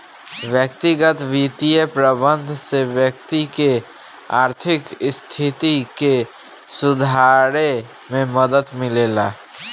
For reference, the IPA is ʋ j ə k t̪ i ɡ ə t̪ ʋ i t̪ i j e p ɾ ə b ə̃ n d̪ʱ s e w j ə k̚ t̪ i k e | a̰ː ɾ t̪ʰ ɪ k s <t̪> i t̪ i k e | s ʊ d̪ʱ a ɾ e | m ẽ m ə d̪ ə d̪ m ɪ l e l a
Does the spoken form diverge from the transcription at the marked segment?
yes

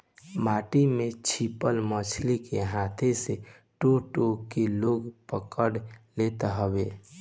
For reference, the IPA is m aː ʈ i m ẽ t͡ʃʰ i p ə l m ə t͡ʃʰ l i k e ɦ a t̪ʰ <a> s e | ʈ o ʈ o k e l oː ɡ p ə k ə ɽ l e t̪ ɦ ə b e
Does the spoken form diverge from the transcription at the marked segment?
yes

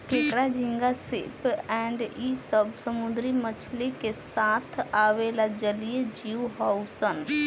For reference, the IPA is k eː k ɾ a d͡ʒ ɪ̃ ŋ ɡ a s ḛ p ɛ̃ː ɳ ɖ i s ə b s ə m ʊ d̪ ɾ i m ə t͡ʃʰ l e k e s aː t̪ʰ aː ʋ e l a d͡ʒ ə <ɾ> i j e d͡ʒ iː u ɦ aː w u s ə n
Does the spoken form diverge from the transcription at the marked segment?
yes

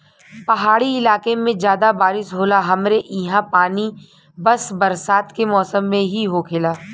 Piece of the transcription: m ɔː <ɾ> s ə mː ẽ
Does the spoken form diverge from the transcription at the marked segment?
yes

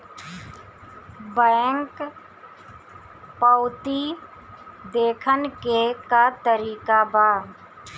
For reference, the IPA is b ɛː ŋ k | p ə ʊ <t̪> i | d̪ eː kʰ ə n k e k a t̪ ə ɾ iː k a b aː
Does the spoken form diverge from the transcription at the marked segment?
no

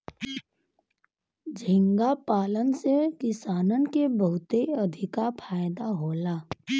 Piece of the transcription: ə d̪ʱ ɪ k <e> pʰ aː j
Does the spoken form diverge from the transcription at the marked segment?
yes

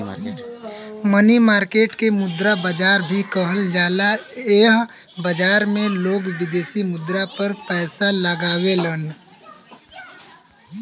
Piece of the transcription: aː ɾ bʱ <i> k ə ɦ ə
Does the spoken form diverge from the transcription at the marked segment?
no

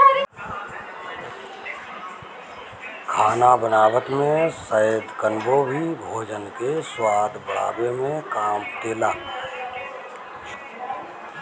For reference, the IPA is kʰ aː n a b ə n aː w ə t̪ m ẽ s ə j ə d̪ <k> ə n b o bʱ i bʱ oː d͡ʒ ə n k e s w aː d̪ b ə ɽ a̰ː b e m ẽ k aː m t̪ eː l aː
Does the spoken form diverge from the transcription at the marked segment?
no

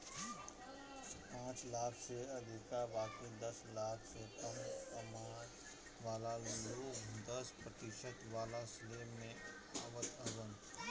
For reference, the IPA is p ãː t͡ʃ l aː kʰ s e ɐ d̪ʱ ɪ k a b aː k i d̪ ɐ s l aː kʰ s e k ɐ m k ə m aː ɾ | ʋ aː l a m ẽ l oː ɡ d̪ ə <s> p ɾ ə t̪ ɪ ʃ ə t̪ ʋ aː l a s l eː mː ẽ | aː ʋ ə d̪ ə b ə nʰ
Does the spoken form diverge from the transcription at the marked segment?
no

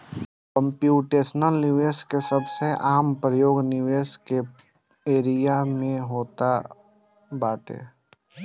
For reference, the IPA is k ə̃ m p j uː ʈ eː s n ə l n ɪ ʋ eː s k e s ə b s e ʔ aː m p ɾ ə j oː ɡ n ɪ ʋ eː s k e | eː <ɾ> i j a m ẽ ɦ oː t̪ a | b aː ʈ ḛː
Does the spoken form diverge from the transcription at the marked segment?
no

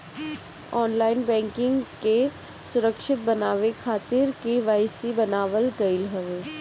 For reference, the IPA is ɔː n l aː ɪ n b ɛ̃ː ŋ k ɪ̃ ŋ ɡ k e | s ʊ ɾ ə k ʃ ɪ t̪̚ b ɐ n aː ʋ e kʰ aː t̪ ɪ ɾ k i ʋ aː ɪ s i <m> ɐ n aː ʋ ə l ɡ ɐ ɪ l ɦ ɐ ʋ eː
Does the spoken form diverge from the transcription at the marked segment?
yes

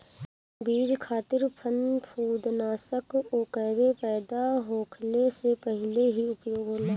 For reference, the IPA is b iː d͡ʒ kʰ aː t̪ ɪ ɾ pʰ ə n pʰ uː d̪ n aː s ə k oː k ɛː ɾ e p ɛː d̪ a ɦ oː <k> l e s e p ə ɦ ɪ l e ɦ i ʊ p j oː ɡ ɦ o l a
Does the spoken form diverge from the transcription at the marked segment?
yes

